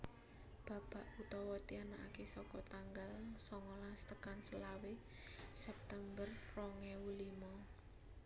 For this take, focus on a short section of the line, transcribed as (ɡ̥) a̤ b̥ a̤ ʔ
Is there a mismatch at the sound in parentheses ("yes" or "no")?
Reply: yes